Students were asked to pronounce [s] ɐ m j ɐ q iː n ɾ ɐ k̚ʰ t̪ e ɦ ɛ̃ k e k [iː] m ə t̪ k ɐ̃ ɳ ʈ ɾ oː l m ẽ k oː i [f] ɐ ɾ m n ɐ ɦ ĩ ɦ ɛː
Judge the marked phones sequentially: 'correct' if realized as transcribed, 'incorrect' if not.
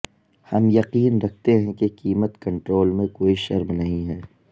incorrect: h, correct, incorrect: ʃ

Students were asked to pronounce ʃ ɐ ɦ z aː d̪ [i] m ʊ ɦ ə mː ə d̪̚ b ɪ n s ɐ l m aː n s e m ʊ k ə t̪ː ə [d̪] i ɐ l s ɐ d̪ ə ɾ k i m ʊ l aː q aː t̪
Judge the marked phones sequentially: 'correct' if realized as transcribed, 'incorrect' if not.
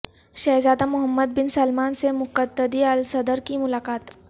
incorrect: a, correct

